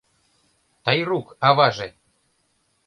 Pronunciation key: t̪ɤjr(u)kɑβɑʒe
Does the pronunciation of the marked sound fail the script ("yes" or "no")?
no